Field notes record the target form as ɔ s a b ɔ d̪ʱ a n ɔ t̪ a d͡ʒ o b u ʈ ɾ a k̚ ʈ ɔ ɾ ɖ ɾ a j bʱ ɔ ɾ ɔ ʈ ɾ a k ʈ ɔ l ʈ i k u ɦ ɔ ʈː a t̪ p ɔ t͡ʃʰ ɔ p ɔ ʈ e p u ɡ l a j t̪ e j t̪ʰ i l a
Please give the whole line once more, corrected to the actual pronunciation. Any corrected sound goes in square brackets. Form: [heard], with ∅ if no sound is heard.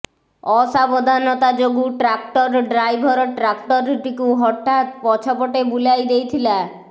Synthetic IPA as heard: ɔ s a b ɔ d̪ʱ a n ɔ t̪ a d͡ʒ o [ɡ] u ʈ ɾ a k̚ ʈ ɔ ɾ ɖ ɾ a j bʱ ɔ ɾ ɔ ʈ ɾ a k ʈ ɔ [ɾ] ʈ i k u ɦ ɔ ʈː a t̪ p ɔ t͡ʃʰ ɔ p ɔ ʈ e [b] u [∅] l a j [d̪] e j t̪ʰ i l a